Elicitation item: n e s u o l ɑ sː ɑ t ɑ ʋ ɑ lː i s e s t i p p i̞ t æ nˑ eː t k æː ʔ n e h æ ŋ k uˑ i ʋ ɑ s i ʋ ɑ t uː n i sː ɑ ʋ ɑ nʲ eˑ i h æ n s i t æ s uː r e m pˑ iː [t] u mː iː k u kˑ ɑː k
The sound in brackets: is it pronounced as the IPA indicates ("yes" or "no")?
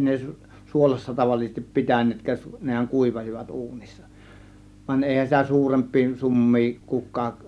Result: no